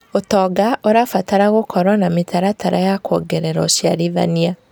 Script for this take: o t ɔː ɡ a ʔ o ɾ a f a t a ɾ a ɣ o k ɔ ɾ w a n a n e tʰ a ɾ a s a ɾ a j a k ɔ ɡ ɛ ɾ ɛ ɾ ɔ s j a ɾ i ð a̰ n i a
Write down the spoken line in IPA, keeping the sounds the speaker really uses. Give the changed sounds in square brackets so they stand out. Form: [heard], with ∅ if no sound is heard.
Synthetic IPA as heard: o t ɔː ɡ a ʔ o ɾ a f a t a ɾ a ɣ o k ɔ ɾ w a n a [m] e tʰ a ɾ a [t] a ɾ a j a k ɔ ɡ ɛ ɾ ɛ ɾ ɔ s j a ɾ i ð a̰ n i a